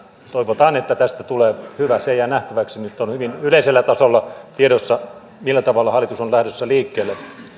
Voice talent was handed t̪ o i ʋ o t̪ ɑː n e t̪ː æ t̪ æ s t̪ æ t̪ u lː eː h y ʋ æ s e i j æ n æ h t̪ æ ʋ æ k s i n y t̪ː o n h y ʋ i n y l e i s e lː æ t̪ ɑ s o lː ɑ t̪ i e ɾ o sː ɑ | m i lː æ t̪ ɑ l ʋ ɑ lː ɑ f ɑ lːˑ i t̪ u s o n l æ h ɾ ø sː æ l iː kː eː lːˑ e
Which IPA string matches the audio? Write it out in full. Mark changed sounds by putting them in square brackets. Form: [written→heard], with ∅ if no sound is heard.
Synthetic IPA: t̪ o i ʋ o t̪ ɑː n e t̪ː æ t̪ æ s t̪ æ t̪ u [lː→l] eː h y ʋ æ s e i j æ n æ h t̪ æ ʋ æ k s i n y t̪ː o n h y ʋ i n y l e i s e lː æ t̪ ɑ s o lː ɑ t̪ i e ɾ o sː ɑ | m i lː æ t̪ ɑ [l→∅] ʋ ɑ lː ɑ [f→h] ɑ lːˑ i t̪ u s o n l æ h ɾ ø sː æ l iː kː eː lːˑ e